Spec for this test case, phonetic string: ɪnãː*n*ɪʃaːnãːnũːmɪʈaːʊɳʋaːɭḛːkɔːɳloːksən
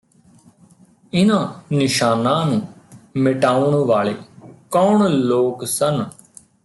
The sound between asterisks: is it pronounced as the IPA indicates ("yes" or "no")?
yes